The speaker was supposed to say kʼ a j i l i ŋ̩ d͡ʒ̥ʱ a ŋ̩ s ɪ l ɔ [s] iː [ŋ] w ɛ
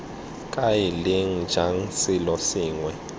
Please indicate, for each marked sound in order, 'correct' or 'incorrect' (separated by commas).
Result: correct, correct